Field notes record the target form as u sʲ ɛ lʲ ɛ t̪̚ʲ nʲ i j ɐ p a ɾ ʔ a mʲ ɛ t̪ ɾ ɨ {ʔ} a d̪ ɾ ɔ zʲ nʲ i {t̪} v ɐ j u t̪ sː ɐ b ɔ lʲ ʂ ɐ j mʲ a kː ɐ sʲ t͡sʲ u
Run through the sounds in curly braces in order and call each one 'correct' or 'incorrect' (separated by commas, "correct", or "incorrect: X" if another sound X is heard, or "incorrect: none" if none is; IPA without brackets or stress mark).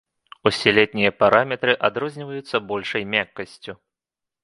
correct, incorrect: none